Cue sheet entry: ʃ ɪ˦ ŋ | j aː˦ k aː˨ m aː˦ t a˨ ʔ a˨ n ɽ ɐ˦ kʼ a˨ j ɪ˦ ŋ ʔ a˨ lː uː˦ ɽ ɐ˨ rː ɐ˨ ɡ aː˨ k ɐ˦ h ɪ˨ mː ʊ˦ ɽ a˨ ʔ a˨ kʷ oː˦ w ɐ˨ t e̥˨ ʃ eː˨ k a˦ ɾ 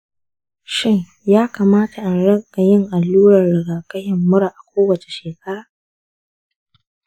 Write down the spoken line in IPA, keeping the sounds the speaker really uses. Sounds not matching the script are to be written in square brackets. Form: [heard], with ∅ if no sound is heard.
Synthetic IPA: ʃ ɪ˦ ŋ | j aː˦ k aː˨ m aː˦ t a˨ ʔ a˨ n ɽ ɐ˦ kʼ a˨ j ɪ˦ ŋ ʔ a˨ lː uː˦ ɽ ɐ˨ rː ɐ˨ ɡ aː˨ k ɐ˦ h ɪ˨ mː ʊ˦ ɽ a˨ ʔ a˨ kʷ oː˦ w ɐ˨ [t͡ʃ] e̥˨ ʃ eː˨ k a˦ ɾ

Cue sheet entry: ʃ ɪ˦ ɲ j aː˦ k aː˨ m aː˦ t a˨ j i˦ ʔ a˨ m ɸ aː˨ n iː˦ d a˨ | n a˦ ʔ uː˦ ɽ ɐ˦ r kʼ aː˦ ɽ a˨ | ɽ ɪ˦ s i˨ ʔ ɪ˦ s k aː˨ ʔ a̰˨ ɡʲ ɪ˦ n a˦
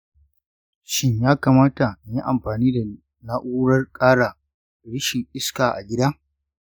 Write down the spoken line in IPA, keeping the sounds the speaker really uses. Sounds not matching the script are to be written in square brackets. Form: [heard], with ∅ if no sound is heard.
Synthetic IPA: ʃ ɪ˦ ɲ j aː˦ k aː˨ m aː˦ t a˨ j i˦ ʔ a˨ m ɸ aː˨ n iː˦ d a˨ | n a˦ ʔ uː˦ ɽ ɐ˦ r kʼ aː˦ ɽ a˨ | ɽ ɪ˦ [ʃ] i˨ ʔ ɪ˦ s k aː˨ ʔ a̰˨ ɡʲ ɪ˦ [d] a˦

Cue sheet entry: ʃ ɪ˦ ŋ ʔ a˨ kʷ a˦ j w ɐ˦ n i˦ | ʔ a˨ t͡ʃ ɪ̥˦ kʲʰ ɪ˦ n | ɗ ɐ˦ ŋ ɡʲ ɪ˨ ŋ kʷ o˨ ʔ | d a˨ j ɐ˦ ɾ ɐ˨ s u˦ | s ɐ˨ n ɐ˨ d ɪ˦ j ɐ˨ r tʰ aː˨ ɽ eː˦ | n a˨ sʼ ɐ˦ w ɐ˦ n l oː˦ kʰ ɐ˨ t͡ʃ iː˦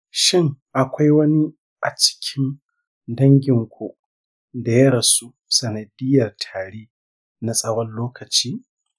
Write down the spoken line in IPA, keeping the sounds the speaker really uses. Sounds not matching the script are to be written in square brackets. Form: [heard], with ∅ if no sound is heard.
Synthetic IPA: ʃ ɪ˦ ŋ ʔ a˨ kʷ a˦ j w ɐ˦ n i˦ | ʔ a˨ t͡ʃ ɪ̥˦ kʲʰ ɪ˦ n | [d] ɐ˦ ŋ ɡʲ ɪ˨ ŋ kʷ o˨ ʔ | d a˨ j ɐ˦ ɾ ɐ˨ s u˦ | s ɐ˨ n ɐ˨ d ɪ˦ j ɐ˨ r tʰ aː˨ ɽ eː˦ | n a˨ sʼ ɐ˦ w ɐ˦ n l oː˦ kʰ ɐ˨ t͡ʃ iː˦

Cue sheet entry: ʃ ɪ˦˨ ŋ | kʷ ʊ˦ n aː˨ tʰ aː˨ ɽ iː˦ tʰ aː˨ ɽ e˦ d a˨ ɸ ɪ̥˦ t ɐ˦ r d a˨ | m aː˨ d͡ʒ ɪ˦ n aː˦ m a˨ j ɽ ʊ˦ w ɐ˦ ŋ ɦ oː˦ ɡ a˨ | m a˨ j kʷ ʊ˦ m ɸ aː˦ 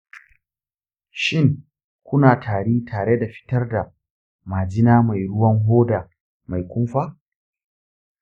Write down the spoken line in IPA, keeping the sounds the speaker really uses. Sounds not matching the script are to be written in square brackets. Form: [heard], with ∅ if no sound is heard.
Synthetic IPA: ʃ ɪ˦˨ ŋ | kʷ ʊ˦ n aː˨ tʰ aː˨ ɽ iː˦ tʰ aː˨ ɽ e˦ d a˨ ɸ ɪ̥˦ t ɐ˦ r d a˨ | m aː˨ d͡ʒ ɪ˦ n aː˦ m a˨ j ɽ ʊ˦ w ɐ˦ ŋ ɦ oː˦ [d] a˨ | m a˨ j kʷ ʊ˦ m ɸ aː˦

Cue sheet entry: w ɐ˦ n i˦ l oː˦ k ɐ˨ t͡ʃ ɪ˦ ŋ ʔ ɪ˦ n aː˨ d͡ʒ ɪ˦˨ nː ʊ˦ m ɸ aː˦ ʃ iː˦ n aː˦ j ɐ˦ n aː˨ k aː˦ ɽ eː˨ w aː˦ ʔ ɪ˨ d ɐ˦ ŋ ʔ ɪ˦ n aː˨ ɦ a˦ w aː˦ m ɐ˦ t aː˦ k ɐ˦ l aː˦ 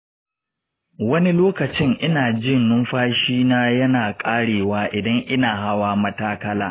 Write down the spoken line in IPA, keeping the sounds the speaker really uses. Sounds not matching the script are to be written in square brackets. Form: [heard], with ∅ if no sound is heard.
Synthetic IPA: w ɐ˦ n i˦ l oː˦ k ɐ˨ t͡ʃ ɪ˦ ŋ ʔ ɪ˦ n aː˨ d͡ʒ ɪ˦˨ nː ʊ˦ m ɸ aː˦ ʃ iː˦ n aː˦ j ɐ˦ n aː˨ [kʼ] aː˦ ɽ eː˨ w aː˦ ʔ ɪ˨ d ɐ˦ ŋ ʔ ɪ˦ n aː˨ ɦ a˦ w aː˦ m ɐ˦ t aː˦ k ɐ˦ l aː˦

